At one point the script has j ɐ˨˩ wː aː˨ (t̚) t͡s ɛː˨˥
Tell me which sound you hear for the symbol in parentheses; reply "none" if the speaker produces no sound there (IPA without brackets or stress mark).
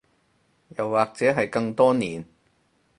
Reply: k̚